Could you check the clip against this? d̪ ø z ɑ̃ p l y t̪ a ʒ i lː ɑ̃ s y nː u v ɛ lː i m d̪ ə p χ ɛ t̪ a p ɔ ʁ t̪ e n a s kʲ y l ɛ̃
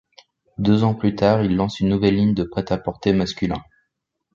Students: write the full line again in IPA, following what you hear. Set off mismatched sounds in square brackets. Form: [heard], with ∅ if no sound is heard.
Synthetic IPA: d̪ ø z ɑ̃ p l y t̪ a [ʁ] i lː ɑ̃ s y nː u v ɛ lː i [ɲ] d̪ ə p χ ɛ t̪ a p ɔ ʁ t̪ e [m] a s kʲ y l ɛ̃